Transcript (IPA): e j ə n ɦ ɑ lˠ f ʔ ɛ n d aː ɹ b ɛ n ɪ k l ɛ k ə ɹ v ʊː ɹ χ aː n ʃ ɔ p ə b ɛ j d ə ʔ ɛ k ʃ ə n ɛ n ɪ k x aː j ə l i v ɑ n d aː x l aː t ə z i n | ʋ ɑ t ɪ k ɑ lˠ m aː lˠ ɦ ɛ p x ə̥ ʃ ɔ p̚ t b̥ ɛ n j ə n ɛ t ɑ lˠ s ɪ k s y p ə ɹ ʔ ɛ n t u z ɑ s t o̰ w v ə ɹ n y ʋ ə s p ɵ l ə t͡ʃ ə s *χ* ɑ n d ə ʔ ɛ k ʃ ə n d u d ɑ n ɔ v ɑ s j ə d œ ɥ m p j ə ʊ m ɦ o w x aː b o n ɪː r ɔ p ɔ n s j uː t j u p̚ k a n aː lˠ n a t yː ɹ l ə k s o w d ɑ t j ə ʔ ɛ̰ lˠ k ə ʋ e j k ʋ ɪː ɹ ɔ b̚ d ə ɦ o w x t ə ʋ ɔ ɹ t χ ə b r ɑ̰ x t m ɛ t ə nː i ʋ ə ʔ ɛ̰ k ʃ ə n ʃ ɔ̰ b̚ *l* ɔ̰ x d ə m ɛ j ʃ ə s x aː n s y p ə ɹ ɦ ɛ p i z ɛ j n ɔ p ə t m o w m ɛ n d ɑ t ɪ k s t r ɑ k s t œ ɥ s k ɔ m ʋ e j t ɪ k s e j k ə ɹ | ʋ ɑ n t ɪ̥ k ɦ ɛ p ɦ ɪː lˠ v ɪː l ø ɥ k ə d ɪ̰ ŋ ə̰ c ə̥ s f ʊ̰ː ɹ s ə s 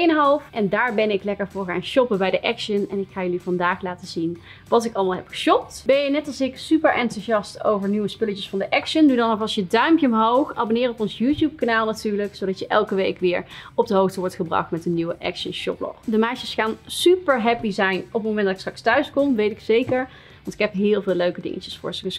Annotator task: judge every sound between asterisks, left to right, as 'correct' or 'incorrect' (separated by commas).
incorrect, correct